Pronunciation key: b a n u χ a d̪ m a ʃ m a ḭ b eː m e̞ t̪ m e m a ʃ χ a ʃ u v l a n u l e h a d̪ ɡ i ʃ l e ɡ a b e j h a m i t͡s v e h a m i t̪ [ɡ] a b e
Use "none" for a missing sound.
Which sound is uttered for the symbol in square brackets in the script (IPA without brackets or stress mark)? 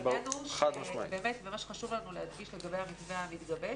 ɡ